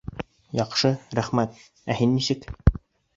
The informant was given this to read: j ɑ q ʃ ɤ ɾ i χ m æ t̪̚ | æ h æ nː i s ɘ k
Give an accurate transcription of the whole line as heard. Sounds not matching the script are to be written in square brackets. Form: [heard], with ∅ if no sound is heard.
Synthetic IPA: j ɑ q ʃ ɤ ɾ [æ] χ m æ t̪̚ | æ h [i] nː i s ɘ k